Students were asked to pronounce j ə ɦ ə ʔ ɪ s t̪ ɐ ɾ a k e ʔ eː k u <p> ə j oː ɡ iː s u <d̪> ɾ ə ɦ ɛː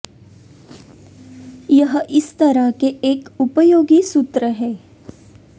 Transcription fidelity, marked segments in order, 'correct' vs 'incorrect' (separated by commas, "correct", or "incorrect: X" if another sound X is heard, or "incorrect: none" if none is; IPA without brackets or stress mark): correct, incorrect: t̪